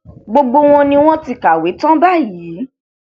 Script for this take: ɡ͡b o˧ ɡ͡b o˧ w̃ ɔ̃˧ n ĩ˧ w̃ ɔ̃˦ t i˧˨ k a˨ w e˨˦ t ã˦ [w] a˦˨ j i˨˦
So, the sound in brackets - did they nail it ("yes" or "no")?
no